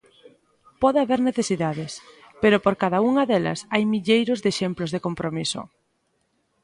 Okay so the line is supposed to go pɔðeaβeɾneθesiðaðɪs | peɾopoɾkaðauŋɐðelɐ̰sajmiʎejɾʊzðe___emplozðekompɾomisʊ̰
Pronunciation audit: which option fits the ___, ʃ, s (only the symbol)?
ʃ